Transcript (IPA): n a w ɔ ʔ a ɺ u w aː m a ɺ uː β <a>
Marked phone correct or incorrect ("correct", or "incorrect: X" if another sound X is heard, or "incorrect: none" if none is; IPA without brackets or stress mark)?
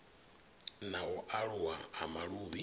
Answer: incorrect: i